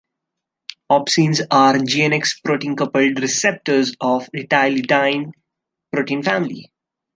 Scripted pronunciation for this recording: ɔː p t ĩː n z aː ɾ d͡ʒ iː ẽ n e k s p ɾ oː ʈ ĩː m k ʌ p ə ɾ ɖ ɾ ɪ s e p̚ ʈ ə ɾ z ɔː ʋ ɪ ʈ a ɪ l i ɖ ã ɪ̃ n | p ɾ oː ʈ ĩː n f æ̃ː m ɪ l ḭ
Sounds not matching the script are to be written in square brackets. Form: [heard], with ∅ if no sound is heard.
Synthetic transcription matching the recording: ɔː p [s] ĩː n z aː ɾ d͡ʒ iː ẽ n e k s p ɾ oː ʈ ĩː [n] k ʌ p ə [l] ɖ ɾ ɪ s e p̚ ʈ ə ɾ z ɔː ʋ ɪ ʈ a ɪ l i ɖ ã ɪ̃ n | p ɾ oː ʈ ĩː n f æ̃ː m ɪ l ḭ